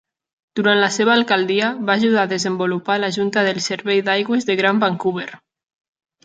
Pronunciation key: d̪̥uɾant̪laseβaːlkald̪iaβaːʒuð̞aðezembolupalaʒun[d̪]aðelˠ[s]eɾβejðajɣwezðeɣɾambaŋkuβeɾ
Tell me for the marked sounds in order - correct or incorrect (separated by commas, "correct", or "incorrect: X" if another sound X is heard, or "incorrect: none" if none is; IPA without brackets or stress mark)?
incorrect: t̪, correct